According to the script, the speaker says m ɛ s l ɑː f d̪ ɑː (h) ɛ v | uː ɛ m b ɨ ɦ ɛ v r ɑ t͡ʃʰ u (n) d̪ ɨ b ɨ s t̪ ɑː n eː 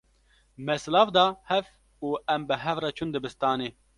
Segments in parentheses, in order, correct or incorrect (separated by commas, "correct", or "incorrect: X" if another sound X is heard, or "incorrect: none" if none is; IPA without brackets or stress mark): correct, correct